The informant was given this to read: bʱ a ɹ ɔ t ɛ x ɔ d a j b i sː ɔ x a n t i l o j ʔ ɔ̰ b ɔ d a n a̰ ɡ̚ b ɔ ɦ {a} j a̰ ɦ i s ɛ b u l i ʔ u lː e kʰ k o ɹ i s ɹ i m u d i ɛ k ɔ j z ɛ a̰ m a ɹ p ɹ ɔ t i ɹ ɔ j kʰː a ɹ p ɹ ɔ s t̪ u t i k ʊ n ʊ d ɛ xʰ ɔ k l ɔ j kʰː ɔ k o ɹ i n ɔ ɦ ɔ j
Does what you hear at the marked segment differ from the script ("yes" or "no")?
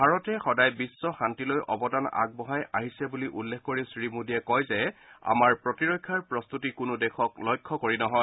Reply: no